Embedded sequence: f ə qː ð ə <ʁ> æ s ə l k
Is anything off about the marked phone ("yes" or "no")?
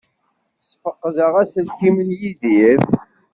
no